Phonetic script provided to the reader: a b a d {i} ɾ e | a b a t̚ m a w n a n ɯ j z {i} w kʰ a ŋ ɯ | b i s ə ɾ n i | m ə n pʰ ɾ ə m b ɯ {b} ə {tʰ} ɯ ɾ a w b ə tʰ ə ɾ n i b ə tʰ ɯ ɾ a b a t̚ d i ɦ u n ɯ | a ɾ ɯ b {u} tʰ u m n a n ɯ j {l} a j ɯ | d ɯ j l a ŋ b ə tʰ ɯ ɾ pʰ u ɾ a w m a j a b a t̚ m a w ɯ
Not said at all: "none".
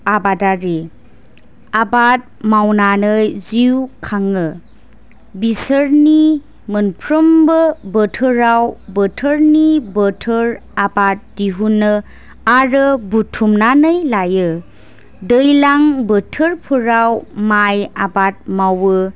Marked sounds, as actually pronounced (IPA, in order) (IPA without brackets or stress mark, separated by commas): a, i, b, tʰ, u, l